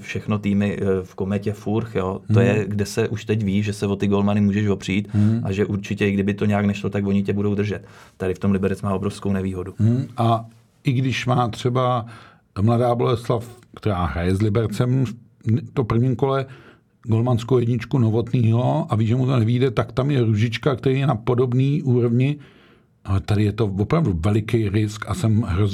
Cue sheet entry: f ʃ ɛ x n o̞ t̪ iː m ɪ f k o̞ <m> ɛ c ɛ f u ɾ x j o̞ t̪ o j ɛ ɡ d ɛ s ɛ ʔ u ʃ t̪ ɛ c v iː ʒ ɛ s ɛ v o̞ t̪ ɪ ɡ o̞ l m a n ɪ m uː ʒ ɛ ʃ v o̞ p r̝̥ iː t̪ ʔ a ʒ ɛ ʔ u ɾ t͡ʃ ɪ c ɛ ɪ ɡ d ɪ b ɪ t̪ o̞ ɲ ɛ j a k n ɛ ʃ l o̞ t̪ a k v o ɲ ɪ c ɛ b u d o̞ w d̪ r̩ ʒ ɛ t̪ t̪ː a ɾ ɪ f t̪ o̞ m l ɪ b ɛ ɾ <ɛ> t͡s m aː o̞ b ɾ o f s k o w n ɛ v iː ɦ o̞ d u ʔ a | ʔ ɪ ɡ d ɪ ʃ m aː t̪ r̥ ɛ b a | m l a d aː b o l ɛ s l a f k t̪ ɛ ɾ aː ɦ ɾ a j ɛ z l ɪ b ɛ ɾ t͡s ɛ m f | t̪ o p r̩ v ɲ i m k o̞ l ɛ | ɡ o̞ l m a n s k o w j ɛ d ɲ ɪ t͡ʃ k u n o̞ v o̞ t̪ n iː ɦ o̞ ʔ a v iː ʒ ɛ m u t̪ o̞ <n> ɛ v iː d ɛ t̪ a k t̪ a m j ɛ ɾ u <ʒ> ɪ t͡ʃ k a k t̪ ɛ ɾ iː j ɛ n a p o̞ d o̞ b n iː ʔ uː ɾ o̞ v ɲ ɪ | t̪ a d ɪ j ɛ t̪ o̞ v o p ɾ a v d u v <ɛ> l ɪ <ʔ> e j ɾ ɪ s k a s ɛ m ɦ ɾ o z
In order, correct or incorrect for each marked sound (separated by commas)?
correct, correct, correct, correct, correct, incorrect